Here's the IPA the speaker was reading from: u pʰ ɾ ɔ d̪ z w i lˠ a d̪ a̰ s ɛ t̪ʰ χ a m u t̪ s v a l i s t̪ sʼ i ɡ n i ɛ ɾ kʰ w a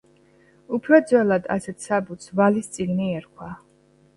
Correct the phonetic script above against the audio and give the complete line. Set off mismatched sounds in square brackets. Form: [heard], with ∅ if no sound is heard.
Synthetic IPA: u pʰ ɾ ɔ d̪ z w [ɛ] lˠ a d̪ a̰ s ɛ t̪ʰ [s] a [b] u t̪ s v a l i s t̪ sʼ i ɡ n i ɛ ɾ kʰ w a